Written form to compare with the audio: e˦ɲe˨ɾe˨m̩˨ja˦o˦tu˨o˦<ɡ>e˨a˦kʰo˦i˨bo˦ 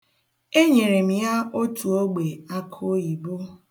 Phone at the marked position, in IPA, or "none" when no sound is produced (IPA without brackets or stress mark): ɡ͡b